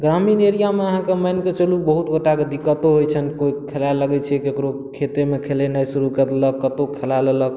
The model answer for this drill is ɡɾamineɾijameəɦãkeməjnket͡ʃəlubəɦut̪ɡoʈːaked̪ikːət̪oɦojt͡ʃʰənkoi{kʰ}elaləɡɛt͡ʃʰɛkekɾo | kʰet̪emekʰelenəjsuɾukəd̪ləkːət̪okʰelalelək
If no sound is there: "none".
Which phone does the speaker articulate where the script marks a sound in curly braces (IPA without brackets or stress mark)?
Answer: kʰ